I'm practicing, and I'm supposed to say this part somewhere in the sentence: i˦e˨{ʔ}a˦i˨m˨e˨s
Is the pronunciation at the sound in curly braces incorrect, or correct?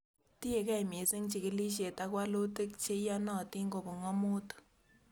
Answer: incorrect